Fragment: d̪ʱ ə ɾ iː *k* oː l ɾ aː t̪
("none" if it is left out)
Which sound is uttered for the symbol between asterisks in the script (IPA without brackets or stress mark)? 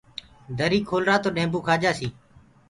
kʰ